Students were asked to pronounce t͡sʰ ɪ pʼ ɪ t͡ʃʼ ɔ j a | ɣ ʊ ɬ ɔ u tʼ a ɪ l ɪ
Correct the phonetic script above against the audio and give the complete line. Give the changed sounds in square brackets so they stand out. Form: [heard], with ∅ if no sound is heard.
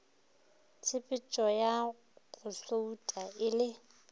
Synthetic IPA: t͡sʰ ɪ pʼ ɪ t͡ʃʼ ɔ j a | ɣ ʊ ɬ [o] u tʼ a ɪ l ɪ